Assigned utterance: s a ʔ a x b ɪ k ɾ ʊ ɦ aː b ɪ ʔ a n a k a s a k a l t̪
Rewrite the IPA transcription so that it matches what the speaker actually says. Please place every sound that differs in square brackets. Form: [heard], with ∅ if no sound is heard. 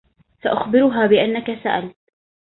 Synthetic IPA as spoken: s a ʔ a x b ɪ [∅] ɾ ʊ ɦ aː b ɪ ʔ a [nː] a k a s a [ʔ] a l t̪